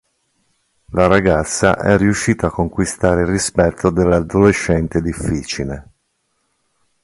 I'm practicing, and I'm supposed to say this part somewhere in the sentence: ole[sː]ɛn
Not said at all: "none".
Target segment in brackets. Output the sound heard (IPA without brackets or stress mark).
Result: ʃː